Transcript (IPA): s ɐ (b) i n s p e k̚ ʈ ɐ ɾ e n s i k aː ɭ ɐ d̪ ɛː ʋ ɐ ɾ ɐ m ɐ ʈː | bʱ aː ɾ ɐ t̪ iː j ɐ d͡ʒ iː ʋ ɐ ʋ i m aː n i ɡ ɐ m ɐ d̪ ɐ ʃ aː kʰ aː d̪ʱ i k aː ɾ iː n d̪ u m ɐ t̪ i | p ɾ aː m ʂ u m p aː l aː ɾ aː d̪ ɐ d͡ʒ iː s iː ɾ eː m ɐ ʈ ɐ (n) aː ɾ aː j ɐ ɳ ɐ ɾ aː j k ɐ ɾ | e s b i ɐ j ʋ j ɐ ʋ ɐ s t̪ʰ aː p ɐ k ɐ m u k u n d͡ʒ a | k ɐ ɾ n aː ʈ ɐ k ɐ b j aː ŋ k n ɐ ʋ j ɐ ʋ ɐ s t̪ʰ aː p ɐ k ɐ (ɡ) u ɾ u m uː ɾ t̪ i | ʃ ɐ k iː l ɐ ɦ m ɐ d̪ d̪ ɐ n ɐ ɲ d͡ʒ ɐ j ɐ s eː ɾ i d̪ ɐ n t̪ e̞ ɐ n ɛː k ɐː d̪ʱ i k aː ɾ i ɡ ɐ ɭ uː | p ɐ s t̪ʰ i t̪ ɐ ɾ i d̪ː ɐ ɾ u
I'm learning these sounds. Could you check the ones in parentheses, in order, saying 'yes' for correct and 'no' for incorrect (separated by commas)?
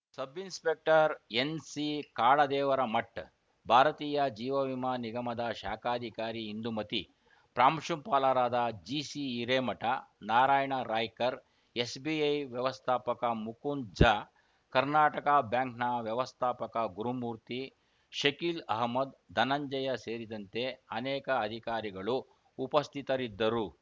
yes, yes, yes